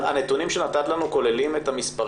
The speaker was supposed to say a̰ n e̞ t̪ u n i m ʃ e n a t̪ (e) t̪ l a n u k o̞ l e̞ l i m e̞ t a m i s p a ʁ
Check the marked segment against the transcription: incorrect: a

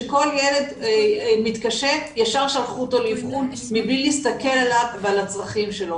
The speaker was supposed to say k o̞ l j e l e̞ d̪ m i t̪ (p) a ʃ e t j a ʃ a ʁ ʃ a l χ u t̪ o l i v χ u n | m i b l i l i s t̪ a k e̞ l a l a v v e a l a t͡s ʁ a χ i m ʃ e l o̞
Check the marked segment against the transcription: incorrect: k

